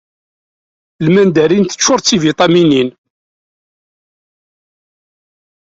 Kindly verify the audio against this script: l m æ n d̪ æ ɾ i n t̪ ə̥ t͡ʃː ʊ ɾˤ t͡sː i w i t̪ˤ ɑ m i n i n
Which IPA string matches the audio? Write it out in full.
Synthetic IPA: l m æ n d̪ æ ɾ i n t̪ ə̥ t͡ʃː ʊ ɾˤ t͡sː i v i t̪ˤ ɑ m i n i n